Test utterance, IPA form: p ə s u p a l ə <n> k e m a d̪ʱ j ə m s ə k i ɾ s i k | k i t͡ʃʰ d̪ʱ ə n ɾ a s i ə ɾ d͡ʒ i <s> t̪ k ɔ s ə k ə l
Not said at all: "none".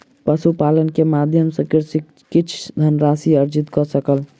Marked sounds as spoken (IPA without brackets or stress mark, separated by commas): n, none